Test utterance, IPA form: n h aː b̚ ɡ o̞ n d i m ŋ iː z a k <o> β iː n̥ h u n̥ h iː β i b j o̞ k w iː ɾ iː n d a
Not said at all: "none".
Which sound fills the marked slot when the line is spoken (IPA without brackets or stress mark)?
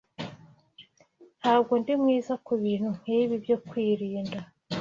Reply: u